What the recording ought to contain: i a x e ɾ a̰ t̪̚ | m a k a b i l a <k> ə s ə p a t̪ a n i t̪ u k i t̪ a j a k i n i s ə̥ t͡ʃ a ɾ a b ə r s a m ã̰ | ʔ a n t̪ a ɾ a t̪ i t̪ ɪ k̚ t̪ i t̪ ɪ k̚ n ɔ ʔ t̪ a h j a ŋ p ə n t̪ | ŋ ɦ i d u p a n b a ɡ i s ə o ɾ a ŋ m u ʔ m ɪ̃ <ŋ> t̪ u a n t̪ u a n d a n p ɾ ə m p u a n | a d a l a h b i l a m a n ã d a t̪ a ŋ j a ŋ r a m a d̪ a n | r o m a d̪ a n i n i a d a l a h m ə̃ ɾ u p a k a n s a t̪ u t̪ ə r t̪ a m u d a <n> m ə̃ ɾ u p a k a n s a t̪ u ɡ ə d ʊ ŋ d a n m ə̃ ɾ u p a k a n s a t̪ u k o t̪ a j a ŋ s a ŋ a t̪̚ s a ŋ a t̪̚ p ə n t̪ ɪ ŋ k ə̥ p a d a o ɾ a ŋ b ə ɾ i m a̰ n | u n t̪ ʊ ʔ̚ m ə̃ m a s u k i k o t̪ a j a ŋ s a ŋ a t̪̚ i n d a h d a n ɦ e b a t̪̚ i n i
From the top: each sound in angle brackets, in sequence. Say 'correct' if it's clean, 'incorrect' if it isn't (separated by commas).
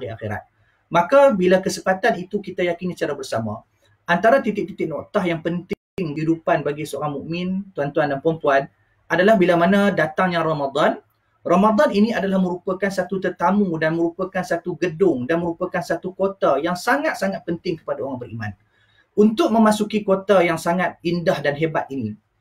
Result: correct, incorrect, correct